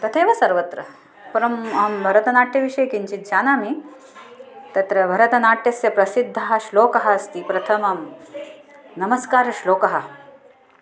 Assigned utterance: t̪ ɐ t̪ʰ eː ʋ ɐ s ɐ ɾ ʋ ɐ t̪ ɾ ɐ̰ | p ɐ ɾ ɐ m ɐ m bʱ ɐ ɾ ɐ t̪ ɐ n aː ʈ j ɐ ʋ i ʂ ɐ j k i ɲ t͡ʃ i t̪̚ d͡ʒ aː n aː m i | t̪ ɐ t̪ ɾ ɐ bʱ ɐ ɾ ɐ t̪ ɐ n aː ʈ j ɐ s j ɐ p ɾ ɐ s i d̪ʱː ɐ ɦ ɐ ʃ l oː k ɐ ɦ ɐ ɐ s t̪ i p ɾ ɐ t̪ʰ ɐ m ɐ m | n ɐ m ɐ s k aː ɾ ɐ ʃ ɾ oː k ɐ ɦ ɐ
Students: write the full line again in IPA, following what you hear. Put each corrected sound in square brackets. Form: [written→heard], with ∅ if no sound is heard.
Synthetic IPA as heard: t̪ ɐ t̪ʰ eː ʋ ɐ s ɐ ɾ ʋ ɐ t̪ ɾ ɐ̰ | p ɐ ɾ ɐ m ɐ m bʱ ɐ ɾ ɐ t̪ ɐ n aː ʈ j ɐ ʋ i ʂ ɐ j k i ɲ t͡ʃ i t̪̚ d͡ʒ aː n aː m i | t̪ ɐ t̪ ɾ ɐ bʱ ɐ ɾ ɐ t̪ ɐ n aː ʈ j ɐ s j ɐ p ɾ ɐ s i d̪ʱː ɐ ɦ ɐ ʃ l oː k ɐ ɦ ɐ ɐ s t̪ i p ɾ ɐ t̪ʰ ɐ m ɐ m | n ɐ m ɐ s k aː ɾ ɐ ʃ [ɾ→l] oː k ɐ ɦ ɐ